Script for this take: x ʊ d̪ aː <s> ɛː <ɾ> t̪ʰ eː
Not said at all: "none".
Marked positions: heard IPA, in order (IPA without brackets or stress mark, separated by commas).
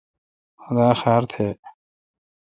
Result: x, ɾ